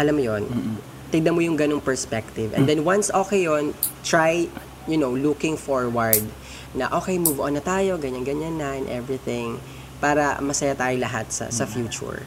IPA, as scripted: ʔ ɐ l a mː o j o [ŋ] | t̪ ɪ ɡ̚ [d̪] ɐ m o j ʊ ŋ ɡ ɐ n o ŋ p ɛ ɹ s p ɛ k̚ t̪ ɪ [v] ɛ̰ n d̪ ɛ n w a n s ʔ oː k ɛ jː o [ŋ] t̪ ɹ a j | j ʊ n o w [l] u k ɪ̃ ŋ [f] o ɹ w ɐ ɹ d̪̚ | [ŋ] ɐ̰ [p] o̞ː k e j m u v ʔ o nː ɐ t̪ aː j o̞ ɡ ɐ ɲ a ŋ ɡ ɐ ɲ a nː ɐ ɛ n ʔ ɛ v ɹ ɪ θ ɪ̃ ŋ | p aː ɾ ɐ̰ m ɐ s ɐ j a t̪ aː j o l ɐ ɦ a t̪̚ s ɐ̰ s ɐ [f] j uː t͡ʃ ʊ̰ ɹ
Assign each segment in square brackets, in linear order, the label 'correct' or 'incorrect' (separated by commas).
incorrect, correct, correct, incorrect, correct, correct, incorrect, incorrect, correct